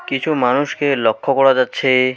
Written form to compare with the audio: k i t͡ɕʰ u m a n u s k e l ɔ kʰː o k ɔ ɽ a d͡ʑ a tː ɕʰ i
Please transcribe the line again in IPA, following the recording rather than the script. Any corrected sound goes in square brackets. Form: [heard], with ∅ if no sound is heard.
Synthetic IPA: k i t͡ɕʰ u m a n u [ʃ] k e l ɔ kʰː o k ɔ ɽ a d͡ʑ a tː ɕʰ [e]